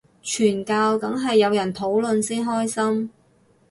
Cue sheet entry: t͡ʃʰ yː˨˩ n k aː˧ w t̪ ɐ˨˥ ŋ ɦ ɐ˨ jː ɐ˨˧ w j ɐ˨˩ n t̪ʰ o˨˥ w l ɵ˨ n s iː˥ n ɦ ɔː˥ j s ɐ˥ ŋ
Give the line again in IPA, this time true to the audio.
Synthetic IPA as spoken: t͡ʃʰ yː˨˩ n k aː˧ w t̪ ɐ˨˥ ŋ ɦ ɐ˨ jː ɐ˨˧ w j ɐ˨˩ n t̪ʰ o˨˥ w l ɵ˨ n s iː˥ n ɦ ɔː˥ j s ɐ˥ m